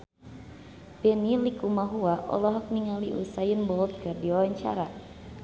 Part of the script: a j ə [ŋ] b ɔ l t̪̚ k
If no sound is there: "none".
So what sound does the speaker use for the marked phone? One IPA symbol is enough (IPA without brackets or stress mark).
n